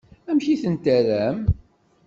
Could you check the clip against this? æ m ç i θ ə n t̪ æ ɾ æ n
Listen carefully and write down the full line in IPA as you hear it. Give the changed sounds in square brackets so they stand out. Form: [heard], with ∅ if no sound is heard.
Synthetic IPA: æ m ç i θ ə n t̪ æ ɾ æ [m]